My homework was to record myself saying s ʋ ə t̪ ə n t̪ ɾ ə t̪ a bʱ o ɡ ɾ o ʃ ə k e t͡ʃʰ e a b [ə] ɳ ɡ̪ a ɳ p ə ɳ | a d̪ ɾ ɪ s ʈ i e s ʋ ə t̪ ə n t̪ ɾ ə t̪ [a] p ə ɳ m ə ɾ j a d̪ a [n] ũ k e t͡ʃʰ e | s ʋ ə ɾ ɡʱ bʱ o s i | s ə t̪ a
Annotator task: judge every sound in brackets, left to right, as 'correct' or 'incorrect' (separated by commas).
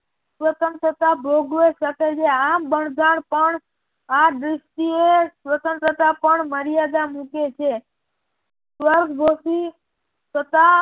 correct, correct, incorrect